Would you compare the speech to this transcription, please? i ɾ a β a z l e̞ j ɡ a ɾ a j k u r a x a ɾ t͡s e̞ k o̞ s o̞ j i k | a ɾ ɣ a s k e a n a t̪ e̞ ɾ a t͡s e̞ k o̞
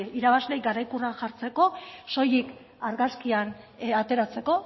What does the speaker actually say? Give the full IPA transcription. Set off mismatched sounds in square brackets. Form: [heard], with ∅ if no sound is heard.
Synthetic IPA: i ɾ a β a z l e̞ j ɡ a ɾ a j k u r a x a ɾ t͡s e̞ k o̞ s o̞ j i k | a ɾ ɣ a s k [i] a n a t̪ e̞ ɾ a t͡s e̞ k o̞